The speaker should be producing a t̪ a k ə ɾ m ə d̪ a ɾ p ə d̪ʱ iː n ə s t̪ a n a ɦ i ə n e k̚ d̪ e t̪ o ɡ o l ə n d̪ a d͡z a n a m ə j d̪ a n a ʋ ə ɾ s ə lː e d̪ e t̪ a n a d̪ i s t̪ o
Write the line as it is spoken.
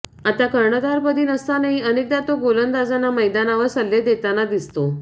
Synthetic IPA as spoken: a t̪ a k ə ɾ ɳ ə d̪ a ɾ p ə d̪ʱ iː n ə s t̪ a n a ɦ i ə n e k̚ d̪ a t̪ o ɡ o l ə n d̪ a d͡z a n a m ə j d̪ a n a ʋ ə ɾ s ə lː e d̪ e t̪ a n a d̪ i s t̪ o

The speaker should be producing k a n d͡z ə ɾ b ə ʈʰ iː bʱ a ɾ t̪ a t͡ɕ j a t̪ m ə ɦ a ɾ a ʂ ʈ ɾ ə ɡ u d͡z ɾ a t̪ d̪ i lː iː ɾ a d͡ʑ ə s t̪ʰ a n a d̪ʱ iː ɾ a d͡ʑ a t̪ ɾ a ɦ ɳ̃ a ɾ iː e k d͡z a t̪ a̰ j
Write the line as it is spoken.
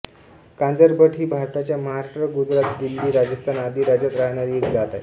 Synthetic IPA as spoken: k a n d͡z ə ɾ b ə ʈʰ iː bʱ a ɾ t̪ a t͡ɕ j a m ə ɦ a ɾ a ʂ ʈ ɾ ə ɡ u d͡z ɾ a t̪ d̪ i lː iː ɾ a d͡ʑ ə s t̪ʰ a n a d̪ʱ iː ɾ a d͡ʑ a t̪ ɾ a ɦ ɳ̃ a ɾ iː e k d͡z a t̪ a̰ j

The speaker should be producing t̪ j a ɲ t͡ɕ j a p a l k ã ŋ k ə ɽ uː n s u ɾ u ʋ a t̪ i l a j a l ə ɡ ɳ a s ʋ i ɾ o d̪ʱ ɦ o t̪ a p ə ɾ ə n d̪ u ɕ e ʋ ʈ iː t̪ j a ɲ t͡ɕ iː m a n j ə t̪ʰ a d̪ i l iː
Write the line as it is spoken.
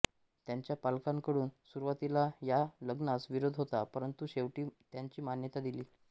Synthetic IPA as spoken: t̪ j a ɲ t͡ɕ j a p a l k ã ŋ k ə ɽ uː n s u ɾ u ʋ a t̪ i l a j a l ə ɡ n a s ʋ i ɾ o d̪ʱ ɦ o t̪ a p ə ɾ ə n t̪ u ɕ e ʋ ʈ iː t̪ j a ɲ t͡ɕ iː m a n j ə t̪ a d̪ i l iː

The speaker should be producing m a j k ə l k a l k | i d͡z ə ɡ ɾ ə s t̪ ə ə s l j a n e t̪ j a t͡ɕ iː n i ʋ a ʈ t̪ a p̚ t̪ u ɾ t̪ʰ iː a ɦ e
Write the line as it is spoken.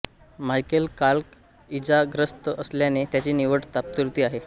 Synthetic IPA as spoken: m a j k ə l k a l k | i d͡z a ɡ ɾ ə s t̪ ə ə s l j a n e t̪ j a t͡ɕ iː n i ʋ ə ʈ t̪ a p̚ t̪ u ɾ t̪ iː a ɦ e

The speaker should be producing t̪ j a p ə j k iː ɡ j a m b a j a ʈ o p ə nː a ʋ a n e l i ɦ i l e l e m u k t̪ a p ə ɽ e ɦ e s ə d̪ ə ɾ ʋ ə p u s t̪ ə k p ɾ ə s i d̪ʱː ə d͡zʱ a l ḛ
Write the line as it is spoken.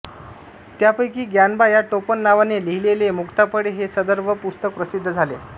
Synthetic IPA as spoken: t̪ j a p ə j k iː ɡ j a n b a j a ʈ o p ə nː a ʋ a n e l i ɦ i l e l e m u k t̪ a p ə ɽ e ɦ e s ə d̪ ə ɾ ʋ ə p u s t̪ ə k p ɾ ə s i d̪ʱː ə d͡zʱ a l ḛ

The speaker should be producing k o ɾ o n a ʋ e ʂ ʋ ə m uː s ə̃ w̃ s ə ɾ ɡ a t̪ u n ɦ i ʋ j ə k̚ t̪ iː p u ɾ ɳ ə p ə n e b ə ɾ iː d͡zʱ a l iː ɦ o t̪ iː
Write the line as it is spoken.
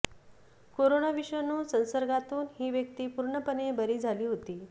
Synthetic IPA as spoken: k o ɾ o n a ʋ i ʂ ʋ ə n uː s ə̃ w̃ s ə ɾ ɡ a t̪ uː n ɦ iː ʋ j ə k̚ t̪ iː p u ɾ ɳ ə p ə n e b ə ɾ iː d͡zʱ a l iː ɦ o t̪ iː

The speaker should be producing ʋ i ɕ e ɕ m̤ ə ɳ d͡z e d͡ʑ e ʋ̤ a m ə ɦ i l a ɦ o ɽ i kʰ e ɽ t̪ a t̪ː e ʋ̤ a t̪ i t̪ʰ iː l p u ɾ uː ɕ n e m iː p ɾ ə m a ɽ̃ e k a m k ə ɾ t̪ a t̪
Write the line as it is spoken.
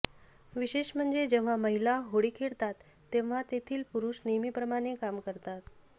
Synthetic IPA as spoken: ʋ i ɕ e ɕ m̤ ə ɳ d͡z e d͡ʑ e ʋ̤ a m ə ɦ i l a ɦ o ɽ i kʰ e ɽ t̪ a t̪ː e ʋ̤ a t̪ e t̪ʰ iː l p u ɾ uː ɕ n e m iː p ɾ ə m a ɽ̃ e k a m k ə ɾ t̪ a t̪

